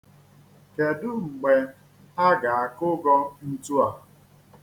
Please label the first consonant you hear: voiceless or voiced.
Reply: voiceless